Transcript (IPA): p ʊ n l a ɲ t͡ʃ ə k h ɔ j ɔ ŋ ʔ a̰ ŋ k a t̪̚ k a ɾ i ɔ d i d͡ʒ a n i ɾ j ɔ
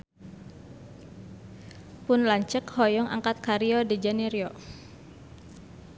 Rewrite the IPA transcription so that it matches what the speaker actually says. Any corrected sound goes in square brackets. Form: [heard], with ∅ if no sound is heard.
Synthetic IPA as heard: p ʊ n l a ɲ t͡ʃ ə k h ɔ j ɔ ŋ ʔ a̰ ŋ k a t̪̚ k a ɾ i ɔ d i d͡ʒ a n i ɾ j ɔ